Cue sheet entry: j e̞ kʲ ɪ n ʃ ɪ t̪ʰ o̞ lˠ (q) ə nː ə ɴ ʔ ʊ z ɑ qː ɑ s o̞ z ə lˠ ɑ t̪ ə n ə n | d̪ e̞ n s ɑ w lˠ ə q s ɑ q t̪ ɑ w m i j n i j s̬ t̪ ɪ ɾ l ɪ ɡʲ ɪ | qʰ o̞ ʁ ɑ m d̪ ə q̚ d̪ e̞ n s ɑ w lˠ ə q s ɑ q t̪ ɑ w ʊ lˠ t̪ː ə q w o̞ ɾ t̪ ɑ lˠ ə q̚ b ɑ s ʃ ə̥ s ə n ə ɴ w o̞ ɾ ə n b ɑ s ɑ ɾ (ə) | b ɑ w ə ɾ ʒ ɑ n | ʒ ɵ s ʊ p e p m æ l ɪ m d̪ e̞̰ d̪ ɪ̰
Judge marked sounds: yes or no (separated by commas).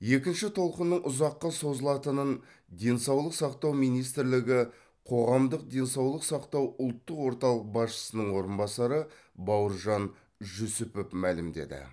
yes, yes